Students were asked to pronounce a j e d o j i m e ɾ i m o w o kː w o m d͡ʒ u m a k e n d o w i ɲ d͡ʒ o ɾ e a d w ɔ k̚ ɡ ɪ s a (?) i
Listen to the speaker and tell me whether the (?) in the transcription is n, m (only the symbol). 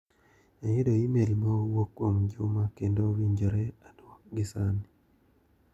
n